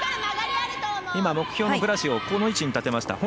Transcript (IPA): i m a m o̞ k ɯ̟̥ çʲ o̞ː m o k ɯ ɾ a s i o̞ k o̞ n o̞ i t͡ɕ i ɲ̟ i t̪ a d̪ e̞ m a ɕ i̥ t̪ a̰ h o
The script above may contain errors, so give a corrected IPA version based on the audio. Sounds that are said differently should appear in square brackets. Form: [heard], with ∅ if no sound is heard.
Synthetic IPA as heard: i m a m o̞ k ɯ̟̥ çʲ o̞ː [n] o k ɯ ɾ a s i o̞ k o̞ n o̞ i t͡ɕ i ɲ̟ i t̪ a [t̪] e̞ m a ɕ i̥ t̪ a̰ h o